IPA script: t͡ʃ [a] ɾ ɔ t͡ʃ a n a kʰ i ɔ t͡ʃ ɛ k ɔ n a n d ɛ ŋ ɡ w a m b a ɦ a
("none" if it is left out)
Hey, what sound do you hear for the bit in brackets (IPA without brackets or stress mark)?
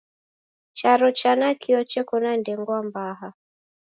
a